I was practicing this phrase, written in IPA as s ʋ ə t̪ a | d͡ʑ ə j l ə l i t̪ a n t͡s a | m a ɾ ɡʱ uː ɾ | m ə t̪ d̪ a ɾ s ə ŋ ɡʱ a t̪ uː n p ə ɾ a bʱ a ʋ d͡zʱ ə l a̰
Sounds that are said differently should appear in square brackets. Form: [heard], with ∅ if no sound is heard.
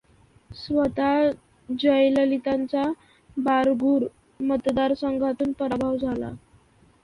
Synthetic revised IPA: s ʋ ə t̪ a | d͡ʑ ə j l ə l i t̪ a n t͡s a | [b] a ɾ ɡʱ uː ɾ | m ə t̪ d̪ a ɾ s ə ŋ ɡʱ a t̪ uː n p ə ɾ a bʱ a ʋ d͡zʱ [a] l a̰

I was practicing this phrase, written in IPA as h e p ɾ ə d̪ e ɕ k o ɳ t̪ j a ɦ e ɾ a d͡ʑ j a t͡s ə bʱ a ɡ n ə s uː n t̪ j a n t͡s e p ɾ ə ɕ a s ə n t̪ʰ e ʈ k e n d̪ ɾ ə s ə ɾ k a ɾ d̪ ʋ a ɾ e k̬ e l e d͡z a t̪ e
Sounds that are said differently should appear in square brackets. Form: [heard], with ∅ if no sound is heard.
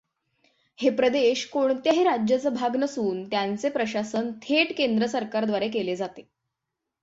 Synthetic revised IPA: h e p ɾ ə d̪ e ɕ k o ɳ t̪ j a ɦ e ɾ a d͡ʑ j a t͡s ə bʱ a ɡ n ə s uː n t̪ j a n t͡s e p ɾ ə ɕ a s ə n t̪ʰ e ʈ k e n d̪ ɾ ə s ə ɾ k a ɾ d̪ ʋ a ɾ e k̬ e l e d͡z a t̪ e

